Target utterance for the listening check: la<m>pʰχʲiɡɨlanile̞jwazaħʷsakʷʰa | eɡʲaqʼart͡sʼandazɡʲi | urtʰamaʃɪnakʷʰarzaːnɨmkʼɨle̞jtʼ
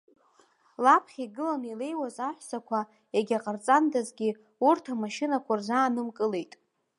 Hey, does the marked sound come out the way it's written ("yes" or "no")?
no